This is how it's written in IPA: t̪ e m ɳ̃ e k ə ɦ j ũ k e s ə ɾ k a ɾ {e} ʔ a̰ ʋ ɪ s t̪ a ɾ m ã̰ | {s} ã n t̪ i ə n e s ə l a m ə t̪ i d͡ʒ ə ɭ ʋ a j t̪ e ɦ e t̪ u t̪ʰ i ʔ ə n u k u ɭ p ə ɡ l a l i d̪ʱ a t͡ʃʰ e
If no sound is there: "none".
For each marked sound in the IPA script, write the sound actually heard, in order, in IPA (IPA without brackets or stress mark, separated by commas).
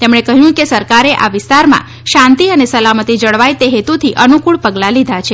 e, ʃ